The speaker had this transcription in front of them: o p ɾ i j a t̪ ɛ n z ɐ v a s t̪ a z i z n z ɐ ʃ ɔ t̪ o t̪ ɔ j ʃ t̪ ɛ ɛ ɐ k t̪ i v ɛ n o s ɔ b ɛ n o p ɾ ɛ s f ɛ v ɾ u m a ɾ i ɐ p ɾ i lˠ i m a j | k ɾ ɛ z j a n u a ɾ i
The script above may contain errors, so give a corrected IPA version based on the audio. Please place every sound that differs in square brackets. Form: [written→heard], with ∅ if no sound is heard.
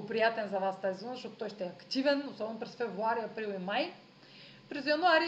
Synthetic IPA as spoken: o p ɾ i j a t̪ ɛ n z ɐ v a s t̪ a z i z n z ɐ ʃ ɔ t̪ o t̪ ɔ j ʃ t̪ ɛ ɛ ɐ k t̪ i v ɛ n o s ɔ b ɛ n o p ɾ ɛ s f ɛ v ɾ u [m→∅] a ɾ i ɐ p ɾ i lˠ i m a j | [k→p] ɾ ɛ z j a n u a ɾ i